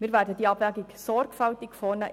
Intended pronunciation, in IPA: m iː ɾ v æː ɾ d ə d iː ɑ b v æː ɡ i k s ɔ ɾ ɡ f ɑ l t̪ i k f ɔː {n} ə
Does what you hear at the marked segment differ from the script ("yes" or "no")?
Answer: no